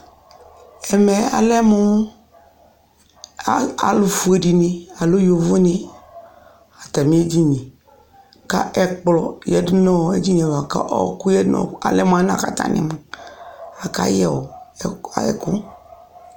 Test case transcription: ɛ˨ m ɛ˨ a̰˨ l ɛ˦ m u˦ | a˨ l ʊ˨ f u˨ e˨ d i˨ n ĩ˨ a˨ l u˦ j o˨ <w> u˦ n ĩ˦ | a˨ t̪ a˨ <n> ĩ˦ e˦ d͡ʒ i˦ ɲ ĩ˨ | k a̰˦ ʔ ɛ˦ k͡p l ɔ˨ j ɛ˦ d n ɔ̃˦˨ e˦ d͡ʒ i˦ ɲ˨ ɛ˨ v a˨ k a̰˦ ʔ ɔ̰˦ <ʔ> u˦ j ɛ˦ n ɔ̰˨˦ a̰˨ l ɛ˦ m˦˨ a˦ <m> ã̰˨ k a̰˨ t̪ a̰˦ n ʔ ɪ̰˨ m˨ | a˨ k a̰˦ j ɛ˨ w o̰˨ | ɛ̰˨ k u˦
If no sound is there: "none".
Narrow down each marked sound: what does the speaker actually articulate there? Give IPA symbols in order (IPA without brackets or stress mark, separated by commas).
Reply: v, m, k, n